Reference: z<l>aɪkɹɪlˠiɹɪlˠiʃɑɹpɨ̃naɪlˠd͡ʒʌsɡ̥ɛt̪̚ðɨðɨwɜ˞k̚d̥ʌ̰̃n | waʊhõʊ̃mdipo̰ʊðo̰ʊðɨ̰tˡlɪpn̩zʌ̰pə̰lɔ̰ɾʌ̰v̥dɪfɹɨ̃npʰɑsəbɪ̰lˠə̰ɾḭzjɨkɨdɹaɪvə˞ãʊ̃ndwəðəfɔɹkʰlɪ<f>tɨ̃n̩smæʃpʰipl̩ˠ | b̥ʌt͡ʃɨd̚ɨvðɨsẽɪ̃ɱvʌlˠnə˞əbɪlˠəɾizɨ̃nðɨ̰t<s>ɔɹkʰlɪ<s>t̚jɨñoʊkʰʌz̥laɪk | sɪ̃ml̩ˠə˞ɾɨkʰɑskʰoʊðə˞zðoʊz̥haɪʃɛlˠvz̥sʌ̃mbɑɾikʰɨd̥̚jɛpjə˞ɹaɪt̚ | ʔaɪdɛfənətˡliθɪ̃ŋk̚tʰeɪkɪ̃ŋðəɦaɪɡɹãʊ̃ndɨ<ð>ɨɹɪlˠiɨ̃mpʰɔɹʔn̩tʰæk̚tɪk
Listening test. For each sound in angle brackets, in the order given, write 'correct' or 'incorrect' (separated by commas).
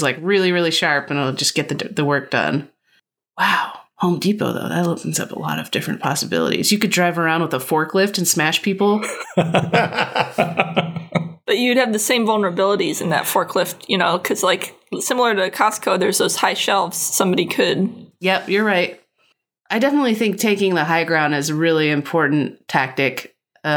correct, correct, incorrect, incorrect, incorrect